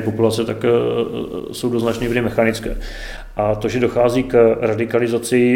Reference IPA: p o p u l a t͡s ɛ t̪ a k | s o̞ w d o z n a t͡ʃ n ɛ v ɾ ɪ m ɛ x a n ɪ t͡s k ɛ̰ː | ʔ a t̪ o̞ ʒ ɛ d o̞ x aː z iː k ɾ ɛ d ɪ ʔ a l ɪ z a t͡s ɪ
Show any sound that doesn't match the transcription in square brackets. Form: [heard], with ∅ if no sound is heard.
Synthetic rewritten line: p o p u l a t͡s ɛ t̪ a k | s o̞ w d o z n a t͡ʃ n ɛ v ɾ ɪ m ɛ x a n ɪ t͡s k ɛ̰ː | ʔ a t̪ o̞ ʒ ɛ d o̞ x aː z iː k ɾ [a] d ɪ [k] a l ɪ z a t͡s ɪ